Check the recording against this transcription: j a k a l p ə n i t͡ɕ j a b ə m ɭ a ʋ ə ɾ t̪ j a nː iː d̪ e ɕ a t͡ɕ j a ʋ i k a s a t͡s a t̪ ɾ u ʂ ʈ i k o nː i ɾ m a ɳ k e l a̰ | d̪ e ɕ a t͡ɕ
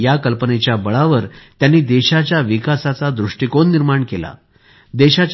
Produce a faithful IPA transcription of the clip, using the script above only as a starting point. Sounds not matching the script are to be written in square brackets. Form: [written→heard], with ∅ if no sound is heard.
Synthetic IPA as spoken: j a k [a→ə] l p ə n [i→e] t͡ɕ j a b ə [m→∅] ɭ a ʋ ə ɾ t̪ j a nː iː d̪ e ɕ a t͡ɕ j a ʋ i k a s a t͡s a [t̪→d̪] ɾ u ʂ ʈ i k o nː i ɾ m a ɳ k e l a̰ | d̪ e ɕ a t͡ɕ

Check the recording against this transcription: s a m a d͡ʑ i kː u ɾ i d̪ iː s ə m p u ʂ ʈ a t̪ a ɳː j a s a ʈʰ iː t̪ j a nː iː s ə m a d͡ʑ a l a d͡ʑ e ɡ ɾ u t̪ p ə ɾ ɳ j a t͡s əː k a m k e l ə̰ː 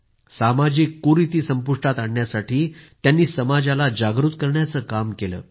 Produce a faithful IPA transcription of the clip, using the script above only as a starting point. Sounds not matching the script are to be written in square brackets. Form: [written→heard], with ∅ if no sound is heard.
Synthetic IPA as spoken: s a m a d͡ʑ i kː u ɾ i [d̪→t̪] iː s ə m p u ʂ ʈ a t̪ a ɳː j a s a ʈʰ iː t̪ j a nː iː s ə m a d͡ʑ a l a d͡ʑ [e→a] ɡ ɾ u t̪ [p→k] ə ɾ ɳ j a t͡s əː k a m k e l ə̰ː

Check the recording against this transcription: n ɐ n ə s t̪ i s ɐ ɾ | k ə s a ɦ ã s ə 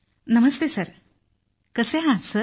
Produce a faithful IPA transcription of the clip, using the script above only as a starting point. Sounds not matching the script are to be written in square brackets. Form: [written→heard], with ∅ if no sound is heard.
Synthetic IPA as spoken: n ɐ [n→m] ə s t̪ [i→e] s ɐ ɾ | k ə s [a→e] ɦ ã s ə

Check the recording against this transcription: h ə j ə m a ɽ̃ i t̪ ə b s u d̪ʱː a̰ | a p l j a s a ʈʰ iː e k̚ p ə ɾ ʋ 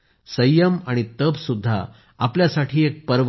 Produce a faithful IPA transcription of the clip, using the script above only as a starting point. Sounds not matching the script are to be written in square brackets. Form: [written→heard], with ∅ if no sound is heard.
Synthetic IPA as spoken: [h→s] ə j ə m a ɽ̃ i t̪ ə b s u d̪ʱː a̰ | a p l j a s a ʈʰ iː e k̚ p ə ɾ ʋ

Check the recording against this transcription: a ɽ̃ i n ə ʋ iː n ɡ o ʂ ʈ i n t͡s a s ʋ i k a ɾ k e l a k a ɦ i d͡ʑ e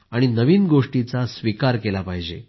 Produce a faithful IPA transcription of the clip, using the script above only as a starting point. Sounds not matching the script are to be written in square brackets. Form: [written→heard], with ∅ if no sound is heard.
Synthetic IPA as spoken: a ɽ̃ i n ə ʋ iː n ɡ o ʂ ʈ i [n→∅] t͡s a s ʋ i k a ɾ k e l a [k→p] a ɦ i d͡ʑ e

